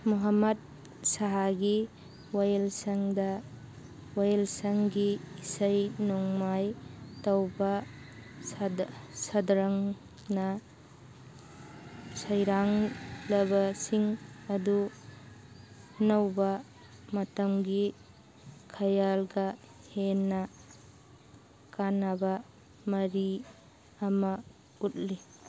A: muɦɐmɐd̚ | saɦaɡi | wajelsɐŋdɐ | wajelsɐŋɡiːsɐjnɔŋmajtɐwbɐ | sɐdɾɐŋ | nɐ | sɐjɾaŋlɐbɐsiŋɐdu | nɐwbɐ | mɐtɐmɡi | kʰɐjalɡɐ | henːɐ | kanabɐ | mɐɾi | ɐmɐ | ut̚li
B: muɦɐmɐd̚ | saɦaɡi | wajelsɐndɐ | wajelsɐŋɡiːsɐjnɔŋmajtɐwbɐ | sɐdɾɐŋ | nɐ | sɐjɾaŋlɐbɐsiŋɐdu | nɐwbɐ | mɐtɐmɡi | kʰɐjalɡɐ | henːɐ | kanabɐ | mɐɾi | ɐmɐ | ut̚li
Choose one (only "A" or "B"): A